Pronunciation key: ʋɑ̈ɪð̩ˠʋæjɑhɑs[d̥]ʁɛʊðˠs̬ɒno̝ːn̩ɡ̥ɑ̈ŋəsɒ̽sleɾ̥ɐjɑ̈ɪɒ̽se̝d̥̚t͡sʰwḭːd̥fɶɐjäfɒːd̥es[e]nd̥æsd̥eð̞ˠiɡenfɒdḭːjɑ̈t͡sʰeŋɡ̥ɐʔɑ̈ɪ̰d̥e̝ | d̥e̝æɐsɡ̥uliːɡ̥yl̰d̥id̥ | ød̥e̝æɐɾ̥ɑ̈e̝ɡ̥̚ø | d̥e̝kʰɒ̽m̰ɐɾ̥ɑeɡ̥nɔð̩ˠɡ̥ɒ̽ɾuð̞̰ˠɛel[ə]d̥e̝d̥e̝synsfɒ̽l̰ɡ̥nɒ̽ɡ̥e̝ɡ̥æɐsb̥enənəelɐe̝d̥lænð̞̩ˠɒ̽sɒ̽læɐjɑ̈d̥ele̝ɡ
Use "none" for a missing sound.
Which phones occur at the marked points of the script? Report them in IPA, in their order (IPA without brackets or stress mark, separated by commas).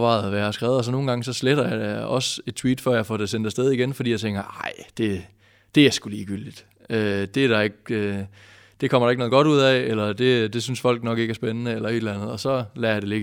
ɡ̥, e, ɐ